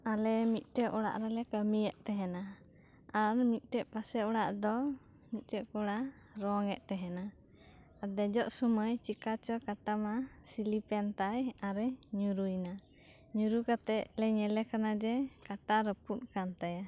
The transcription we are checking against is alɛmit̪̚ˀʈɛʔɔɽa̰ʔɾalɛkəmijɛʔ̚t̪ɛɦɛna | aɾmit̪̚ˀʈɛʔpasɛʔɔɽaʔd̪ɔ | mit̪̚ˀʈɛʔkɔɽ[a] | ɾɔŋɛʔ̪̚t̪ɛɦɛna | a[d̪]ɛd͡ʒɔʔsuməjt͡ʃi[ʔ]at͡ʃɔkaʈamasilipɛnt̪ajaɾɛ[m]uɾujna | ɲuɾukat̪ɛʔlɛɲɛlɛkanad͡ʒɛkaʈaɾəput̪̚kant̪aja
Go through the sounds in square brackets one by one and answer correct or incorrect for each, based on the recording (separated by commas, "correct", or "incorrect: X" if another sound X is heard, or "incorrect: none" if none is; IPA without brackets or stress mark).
correct, correct, incorrect: k, incorrect: ɲ